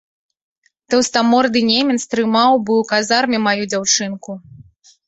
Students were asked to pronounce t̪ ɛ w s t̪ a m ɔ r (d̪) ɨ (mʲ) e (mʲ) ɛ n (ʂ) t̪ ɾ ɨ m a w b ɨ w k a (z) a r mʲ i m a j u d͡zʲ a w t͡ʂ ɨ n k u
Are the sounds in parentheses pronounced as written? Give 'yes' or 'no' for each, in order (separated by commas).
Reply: yes, no, yes, no, yes